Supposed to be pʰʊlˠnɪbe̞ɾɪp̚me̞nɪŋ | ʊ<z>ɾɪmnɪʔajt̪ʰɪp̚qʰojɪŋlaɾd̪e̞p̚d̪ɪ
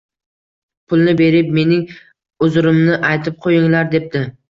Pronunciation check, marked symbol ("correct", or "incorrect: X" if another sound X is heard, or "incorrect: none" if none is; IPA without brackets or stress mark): correct